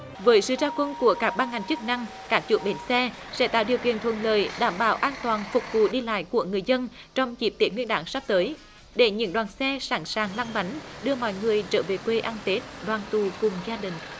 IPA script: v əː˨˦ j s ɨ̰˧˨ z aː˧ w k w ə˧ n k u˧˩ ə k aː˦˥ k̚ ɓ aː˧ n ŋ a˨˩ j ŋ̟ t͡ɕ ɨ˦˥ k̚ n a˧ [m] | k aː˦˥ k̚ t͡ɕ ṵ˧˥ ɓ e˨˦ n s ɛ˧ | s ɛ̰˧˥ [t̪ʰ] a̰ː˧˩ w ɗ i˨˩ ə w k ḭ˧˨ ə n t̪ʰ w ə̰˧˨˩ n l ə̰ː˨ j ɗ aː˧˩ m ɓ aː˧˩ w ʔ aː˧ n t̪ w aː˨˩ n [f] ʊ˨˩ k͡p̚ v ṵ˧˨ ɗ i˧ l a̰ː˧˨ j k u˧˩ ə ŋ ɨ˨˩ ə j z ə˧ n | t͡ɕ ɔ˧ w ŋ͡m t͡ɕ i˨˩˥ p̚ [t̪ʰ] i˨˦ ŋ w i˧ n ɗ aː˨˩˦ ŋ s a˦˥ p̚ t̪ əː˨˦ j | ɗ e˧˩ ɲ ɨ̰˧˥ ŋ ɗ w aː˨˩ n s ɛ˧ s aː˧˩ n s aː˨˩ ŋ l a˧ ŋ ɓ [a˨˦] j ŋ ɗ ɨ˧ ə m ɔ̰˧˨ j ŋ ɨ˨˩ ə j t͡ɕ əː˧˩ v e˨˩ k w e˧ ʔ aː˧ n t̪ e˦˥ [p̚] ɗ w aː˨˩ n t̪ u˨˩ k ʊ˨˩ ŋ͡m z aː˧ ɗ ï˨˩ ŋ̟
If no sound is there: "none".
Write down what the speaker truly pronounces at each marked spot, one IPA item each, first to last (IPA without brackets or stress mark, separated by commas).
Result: ŋ, t̪, f, t̪, a˨˦, t̚